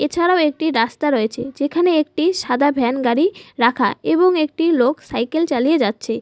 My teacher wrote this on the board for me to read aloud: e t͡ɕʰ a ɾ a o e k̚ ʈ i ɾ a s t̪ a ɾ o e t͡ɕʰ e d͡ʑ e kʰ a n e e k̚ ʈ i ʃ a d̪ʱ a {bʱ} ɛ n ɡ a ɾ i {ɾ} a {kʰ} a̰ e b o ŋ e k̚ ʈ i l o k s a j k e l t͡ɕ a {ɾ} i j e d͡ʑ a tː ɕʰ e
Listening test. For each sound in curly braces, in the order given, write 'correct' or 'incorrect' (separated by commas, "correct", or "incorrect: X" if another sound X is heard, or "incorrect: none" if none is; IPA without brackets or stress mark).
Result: correct, correct, correct, incorrect: l